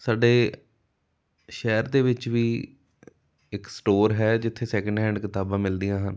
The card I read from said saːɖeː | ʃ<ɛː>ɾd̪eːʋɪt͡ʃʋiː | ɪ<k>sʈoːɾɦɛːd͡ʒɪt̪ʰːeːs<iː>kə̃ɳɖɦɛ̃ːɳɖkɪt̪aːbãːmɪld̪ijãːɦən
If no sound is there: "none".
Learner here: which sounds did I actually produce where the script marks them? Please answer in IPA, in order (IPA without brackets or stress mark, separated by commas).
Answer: ɛː, k, ɛː